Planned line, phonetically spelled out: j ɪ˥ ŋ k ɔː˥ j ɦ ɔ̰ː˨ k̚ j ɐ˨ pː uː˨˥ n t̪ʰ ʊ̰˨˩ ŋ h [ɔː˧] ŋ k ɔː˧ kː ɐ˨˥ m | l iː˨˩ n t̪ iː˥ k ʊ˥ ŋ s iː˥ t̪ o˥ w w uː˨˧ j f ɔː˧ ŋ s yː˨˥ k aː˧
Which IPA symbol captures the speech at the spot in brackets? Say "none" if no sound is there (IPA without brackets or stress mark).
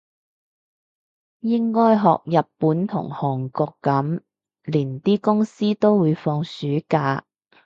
ɔː˨˩